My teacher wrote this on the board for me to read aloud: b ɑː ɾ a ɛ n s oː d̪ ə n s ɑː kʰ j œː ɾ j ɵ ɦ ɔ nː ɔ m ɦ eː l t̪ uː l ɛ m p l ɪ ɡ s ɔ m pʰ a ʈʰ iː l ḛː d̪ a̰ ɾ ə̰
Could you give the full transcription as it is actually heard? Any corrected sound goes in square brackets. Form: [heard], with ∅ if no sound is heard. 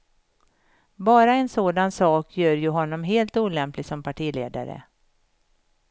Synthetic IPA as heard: b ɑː ɾ a ɛ n s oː d̪ [a] n s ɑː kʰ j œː ɾ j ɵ ɦ ɔ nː ɔ m ɦ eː l t̪ uː l ɛ m p l ɪ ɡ s ɔ m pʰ a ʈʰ iː l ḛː d̪ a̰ ɾ ə̰